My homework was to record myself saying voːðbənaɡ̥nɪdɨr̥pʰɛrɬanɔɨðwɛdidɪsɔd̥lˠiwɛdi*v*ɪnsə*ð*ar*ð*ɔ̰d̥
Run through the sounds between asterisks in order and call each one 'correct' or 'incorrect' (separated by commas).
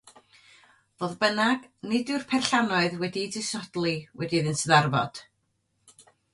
incorrect, correct, incorrect